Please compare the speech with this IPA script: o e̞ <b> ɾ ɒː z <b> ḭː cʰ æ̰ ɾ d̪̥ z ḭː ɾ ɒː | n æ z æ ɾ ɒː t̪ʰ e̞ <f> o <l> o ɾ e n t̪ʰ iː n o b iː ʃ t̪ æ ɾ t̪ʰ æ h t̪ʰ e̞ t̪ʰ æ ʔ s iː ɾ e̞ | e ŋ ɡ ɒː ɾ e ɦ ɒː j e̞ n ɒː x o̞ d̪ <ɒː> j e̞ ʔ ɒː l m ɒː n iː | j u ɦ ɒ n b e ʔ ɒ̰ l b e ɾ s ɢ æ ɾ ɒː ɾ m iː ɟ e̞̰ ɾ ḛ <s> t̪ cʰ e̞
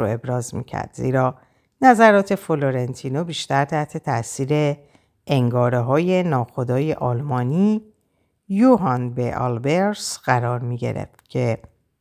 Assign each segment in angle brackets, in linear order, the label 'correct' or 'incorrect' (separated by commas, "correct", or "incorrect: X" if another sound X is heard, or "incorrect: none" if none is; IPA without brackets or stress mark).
correct, incorrect: m, correct, correct, correct, incorrect: f